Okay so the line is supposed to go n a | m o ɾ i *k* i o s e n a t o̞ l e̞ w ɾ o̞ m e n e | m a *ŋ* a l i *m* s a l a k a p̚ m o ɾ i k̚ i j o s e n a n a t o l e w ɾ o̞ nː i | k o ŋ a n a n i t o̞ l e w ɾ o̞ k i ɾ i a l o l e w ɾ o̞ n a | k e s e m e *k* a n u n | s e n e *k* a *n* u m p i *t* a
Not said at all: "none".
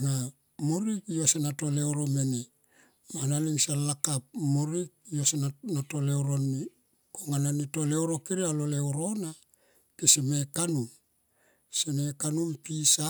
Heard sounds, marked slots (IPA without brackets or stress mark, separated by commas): k, n, ŋ, k, k, n, s